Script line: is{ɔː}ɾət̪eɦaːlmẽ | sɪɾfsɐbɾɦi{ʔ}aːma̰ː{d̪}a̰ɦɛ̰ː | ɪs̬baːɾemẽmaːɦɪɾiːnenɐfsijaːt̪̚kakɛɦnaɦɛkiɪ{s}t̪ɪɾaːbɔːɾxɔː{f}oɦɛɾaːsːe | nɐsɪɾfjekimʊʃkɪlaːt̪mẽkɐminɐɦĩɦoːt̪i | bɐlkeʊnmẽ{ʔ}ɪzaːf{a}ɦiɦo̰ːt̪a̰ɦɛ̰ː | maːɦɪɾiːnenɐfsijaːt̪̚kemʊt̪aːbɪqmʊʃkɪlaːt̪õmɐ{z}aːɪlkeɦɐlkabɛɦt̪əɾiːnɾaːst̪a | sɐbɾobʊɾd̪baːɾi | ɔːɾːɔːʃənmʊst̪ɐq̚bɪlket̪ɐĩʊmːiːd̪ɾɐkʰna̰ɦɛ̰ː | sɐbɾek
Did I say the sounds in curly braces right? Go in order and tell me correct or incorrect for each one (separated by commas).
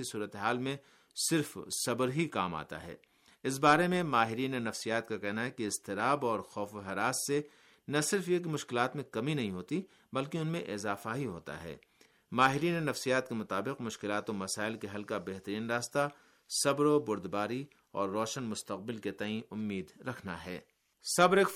incorrect, incorrect, incorrect, correct, correct, correct, correct, incorrect